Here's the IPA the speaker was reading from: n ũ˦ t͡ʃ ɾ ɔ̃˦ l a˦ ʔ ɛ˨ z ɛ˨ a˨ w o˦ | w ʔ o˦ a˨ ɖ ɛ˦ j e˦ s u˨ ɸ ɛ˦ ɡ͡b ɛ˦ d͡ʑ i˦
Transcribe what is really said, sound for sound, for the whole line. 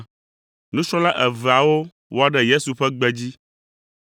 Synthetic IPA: n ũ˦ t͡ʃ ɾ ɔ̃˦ l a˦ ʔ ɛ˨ v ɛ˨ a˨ w o˦ | w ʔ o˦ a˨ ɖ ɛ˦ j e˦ s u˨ ɸ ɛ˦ ɡ͡b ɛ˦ d͡ʑ i˦